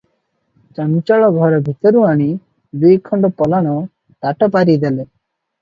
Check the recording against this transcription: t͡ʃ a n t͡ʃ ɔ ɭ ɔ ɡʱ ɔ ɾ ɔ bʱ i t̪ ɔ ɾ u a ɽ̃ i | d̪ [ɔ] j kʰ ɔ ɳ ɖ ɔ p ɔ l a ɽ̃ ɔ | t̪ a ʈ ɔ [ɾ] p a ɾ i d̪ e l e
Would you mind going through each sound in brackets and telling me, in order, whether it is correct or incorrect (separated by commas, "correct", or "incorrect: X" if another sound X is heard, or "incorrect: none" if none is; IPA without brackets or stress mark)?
incorrect: u, incorrect: none